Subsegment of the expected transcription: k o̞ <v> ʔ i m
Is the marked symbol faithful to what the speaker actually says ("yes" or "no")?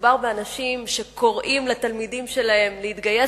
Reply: no